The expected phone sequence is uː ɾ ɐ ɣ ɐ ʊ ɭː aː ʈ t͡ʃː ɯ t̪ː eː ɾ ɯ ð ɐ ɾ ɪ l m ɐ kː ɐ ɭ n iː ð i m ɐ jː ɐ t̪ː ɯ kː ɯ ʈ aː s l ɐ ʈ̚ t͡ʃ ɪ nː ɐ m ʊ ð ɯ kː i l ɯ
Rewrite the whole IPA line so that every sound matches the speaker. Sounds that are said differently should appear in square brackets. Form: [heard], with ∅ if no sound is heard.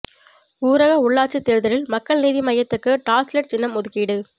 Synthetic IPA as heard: uː ɾ ɐ ɣ ɐ ʊ ɭː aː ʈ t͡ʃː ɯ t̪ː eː ɾ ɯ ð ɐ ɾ ɪ l m ɐ kː ɐ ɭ n iː ð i m ɐ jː ɐ t̪ː ɯ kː ɯ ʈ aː s l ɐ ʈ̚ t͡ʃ ɪ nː ɐ m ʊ ð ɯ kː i [ɽ] ɯ